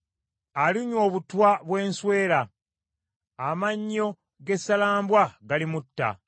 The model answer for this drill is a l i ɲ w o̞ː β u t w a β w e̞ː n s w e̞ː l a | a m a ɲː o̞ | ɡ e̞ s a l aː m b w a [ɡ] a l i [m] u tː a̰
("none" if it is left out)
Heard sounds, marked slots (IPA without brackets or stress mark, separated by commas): ɡ, m